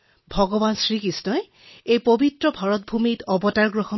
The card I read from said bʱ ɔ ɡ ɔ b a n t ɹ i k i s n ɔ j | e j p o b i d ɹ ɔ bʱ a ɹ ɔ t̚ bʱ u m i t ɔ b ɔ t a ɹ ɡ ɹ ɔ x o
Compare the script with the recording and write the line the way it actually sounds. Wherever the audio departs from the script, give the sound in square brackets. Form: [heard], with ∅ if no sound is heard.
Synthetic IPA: bʱ ɔ ɡ ɔ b a n [s] ɹ i k i s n ɔ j | e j p o b i [t] ɹ ɔ bʱ a ɹ ɔ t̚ bʱ u m i t ɔ b ɔ t a ɹ ɡ ɹ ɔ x [ɔ]